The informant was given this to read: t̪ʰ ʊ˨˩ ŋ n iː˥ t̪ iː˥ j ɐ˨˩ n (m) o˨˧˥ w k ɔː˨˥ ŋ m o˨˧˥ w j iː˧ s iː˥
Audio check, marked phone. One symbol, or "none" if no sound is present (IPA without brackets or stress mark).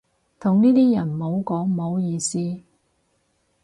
m